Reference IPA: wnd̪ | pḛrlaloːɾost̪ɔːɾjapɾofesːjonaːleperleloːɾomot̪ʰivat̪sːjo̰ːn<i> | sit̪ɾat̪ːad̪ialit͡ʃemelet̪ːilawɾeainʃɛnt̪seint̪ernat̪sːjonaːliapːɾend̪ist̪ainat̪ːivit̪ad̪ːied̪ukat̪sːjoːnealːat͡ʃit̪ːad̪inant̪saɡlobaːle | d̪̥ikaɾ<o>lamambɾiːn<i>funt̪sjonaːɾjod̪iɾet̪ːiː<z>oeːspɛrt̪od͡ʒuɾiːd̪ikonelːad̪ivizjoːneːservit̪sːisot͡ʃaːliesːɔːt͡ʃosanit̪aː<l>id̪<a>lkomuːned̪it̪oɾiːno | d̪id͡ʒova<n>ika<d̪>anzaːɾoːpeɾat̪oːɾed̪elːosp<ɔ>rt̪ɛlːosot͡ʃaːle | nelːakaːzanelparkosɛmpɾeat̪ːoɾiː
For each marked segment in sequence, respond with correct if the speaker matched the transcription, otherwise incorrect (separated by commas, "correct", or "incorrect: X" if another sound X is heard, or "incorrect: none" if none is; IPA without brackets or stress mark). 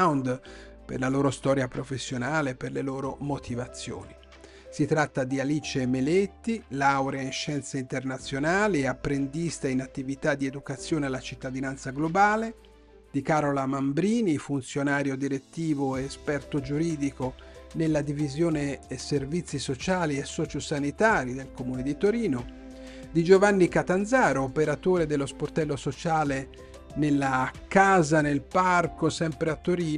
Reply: correct, correct, correct, incorrect: v, incorrect: ɾ, incorrect: e, incorrect: nː, incorrect: t̪, incorrect: o